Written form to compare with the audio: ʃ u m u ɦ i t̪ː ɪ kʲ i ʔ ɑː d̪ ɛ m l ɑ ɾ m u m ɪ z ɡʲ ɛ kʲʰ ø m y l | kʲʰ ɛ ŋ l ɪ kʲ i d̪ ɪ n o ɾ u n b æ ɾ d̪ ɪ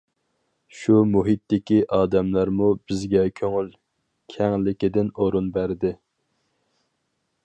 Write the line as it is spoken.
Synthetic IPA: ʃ u m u ɦ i t̪ː ɪ kʲ i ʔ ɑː d̪ ɛ m l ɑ ɾ m u b ɪ z ɡʲ ɛ kʲʰ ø ŋ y l | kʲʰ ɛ ŋ l ɪ kʲ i d̪ ɪ n o ɾ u n b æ ɾ d̪ ɪ